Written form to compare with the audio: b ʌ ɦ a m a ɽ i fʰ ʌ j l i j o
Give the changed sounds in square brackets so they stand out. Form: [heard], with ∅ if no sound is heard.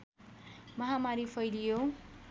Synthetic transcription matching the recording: [m] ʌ ɦ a m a [ɾ] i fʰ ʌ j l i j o